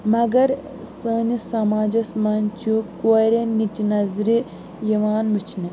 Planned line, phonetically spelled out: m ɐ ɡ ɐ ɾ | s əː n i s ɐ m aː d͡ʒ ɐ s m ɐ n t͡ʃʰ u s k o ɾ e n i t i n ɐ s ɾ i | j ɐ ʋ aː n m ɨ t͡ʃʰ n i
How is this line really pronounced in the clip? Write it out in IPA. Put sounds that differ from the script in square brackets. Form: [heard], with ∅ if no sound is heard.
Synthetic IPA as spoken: m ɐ ɡ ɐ ɾ | s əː n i s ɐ m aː d͡ʒ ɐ s m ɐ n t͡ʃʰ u [∅] k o ɾ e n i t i n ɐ [z] ɾ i | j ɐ ʋ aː n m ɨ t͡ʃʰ n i